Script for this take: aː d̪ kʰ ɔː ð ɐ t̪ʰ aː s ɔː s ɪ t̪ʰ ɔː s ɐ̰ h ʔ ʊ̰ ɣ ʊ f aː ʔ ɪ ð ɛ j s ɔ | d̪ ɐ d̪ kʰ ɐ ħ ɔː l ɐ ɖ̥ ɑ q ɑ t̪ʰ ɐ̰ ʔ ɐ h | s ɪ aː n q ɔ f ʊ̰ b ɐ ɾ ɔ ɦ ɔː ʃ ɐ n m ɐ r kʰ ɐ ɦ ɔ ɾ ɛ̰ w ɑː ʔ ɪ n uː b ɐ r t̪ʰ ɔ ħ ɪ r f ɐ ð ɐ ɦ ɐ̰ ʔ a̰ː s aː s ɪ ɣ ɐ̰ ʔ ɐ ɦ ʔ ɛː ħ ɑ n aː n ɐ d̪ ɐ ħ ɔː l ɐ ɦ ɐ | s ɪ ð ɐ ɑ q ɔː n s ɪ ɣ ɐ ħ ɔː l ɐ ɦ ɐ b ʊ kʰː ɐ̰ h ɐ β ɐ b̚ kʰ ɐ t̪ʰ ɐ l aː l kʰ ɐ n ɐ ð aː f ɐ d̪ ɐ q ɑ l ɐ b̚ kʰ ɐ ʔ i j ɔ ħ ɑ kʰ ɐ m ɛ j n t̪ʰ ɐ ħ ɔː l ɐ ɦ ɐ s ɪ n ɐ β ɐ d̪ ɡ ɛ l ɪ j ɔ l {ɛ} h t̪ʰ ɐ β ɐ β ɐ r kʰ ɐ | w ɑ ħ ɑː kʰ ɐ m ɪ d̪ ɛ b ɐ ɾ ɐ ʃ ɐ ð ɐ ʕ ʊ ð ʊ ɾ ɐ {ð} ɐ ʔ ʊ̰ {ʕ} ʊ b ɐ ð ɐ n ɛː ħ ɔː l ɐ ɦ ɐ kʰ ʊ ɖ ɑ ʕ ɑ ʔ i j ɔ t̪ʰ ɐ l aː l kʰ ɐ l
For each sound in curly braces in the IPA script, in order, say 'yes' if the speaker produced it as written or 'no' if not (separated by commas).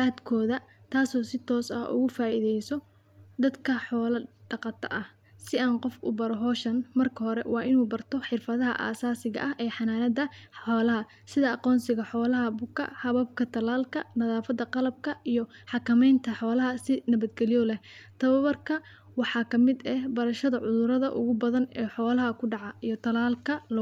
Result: yes, yes, no